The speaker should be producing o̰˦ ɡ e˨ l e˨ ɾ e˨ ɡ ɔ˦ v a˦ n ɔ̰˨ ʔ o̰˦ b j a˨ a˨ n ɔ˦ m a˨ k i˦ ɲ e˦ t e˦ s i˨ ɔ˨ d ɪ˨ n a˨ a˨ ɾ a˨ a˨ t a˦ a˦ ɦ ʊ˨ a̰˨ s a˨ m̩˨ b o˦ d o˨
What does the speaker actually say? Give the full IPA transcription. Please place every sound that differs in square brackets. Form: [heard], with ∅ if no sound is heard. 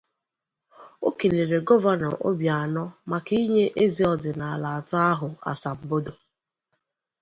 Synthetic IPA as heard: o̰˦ [k] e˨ l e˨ ɾ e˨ ɡ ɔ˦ v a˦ n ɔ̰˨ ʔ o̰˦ b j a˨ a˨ n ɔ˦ m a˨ k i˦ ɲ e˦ [ʔ] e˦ [z] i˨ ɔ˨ d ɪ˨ n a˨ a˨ [l] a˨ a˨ t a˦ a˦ ɦ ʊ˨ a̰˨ s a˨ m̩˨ b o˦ d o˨